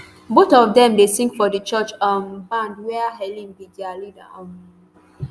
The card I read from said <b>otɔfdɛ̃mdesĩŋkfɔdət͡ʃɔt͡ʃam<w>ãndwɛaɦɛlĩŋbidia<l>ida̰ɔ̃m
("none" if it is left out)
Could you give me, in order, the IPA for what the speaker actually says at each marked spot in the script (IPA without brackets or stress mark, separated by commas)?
b, b, l